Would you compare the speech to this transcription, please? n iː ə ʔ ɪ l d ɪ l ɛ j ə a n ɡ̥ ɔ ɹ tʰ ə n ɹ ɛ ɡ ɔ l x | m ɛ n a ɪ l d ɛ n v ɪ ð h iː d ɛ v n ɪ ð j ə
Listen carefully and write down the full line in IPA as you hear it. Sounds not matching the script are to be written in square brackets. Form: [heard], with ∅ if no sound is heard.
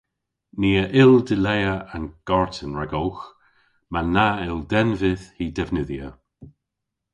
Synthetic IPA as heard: n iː ə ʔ ɪ l d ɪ l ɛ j ə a n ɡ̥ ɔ ɹ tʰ ə n ɹ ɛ ɡ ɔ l x | m [a] n a ɪ l d ɛ n v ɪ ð h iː d ɛ v n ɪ ð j ə